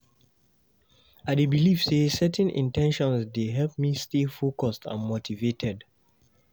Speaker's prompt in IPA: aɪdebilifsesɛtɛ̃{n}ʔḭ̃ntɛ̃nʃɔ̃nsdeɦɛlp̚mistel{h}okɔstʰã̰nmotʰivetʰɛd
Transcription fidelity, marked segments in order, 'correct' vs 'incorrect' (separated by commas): correct, incorrect